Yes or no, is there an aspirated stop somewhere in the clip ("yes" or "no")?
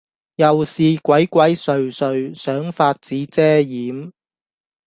no